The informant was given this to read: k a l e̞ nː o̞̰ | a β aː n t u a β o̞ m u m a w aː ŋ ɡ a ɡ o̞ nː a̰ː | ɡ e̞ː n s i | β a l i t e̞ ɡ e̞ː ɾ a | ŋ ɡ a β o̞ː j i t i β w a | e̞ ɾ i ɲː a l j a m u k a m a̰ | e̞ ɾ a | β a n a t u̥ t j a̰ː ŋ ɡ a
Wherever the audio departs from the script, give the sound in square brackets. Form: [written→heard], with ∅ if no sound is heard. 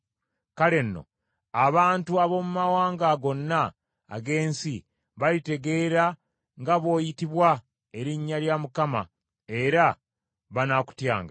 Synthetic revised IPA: k a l e̞ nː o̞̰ | a β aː n t u a β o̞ m u m a w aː ŋ ɡ a ɡ o̞ nː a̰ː | ɡ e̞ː n s i | β a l i t e̞ ɡ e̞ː ɾ a | ŋ ɡ a β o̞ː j i t i β w a | e̞ ɾ i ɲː a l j a m u k a m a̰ | e̞ ɾ a | β a n a [t→k] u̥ t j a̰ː ŋ ɡ a